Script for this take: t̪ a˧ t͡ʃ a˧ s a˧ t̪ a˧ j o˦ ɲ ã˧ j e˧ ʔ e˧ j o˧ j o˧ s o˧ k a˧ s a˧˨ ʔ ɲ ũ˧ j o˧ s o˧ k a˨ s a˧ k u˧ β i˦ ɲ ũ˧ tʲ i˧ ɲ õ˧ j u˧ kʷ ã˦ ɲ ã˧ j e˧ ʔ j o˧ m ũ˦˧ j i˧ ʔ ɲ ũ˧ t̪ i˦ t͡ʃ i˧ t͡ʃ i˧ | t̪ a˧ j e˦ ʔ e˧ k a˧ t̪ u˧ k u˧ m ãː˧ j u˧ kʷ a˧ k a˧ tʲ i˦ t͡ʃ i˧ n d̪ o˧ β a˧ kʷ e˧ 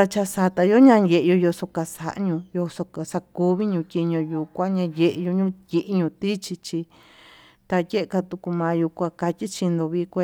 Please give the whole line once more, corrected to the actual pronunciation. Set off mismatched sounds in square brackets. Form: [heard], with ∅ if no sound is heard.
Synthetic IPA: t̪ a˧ t͡ʃ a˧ s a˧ t̪ a˧ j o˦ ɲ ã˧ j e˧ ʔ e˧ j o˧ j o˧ s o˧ k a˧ s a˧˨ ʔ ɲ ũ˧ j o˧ s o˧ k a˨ s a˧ k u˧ β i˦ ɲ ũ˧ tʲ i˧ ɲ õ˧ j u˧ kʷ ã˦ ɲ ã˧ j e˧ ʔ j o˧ [ɲ] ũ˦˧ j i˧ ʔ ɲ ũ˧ t̪ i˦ t͡ʃ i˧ t͡ʃ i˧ | t̪ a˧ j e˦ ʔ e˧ k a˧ t̪ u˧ k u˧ m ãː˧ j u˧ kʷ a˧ k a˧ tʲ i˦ t͡ʃ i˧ n d̪ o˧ β [i˧] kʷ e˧